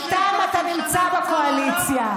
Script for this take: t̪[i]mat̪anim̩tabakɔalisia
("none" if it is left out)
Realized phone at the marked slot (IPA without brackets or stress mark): a